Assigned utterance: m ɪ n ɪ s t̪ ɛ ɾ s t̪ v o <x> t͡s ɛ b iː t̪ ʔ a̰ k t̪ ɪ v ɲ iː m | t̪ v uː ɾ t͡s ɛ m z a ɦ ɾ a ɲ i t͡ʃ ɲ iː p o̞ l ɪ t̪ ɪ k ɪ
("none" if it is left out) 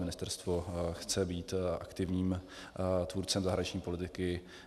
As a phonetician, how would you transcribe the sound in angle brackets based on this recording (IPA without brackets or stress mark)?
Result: x